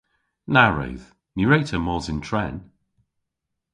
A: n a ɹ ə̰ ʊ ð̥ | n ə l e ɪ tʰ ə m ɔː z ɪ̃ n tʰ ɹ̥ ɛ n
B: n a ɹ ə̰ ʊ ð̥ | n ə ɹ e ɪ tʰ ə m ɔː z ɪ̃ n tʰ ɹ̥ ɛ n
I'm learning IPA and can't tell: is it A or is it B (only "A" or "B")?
B